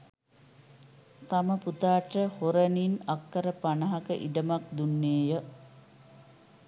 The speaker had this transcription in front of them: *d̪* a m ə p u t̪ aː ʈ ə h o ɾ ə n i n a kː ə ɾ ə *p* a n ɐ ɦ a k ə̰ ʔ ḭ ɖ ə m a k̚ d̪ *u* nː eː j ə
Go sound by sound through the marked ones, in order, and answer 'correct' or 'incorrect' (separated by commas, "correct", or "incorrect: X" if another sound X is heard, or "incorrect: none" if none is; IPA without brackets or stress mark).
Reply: incorrect: t̪, correct, correct